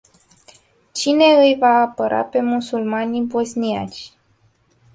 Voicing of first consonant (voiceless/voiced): voiceless